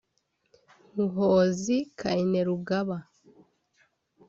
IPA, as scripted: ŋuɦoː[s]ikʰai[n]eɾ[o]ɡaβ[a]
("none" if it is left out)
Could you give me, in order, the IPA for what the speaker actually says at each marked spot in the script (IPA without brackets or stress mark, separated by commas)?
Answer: z, n, u, a